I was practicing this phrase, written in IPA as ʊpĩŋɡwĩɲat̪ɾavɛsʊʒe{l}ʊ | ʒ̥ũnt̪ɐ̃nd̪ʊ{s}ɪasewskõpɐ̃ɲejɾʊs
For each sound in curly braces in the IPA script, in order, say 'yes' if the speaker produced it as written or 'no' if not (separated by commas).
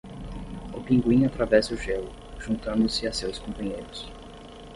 yes, yes